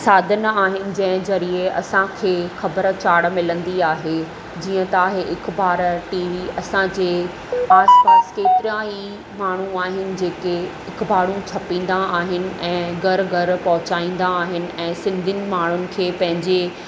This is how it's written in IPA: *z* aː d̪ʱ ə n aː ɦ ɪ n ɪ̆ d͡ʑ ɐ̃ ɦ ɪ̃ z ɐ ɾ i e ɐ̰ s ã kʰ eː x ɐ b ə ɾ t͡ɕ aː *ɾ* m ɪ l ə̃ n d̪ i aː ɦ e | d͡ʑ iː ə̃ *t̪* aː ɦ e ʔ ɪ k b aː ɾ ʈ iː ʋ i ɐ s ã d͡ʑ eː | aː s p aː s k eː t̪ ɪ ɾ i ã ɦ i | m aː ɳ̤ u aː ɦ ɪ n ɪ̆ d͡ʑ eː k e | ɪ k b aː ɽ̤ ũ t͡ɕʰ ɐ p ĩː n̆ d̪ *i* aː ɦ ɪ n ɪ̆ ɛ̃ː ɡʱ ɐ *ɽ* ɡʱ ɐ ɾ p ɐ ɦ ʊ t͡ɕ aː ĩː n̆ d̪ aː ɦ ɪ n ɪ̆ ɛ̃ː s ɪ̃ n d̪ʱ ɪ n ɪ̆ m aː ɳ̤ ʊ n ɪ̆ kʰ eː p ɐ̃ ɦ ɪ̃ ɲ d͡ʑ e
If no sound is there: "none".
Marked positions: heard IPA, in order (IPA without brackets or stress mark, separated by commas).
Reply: s, ɽ, t̪, a, ɾ